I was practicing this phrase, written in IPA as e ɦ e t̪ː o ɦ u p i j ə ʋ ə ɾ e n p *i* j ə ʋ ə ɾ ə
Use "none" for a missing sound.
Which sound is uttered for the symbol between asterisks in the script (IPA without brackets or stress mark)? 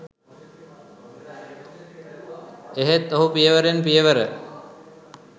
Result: i